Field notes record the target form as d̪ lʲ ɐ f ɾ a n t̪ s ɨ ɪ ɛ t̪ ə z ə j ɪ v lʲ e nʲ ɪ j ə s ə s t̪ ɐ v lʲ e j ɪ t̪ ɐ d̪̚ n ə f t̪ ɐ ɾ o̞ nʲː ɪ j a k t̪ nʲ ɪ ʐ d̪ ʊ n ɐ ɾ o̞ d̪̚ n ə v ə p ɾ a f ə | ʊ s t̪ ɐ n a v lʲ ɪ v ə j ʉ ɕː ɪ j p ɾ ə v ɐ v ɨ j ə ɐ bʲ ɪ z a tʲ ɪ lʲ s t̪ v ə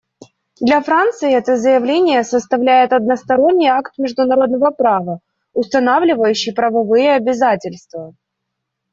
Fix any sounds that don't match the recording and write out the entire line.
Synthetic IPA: d̪ lʲ ɐ f ɾ a n t̪ s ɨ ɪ ɛ t̪ ə z ə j ɪ v lʲ e nʲ ɪ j ə s ə s t̪ ɐ v lʲ æ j ɪ t̪ ɐ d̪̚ n ə s t̪ ɐ ɾ o̞ nʲː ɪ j a k t̪ mʲ ɪ ʐ d̪ ʊ n ɐ ɾ o̞ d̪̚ n ə v ə p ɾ a v ə | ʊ s t̪ ɐ n a v lʲ ɪ v ə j ʉ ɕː ɪ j p ɾ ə v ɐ v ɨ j ə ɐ bʲ ɪ z a tʲ ɪ lʲ s t̪ v ə